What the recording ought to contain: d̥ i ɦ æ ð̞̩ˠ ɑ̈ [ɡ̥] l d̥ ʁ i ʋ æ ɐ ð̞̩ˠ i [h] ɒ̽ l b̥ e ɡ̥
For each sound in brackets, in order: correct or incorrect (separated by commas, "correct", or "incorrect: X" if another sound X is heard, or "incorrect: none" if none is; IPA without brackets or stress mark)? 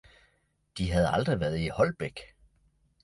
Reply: incorrect: none, correct